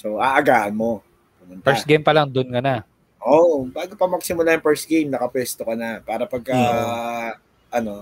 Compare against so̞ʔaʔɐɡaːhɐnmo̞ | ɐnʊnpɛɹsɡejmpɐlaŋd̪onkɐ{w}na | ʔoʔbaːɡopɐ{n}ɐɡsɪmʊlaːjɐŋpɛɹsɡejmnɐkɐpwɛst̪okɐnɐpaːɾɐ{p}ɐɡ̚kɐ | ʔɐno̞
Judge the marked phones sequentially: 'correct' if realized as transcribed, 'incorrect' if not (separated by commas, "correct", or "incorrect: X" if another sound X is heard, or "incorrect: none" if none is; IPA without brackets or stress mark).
incorrect: none, incorrect: m, correct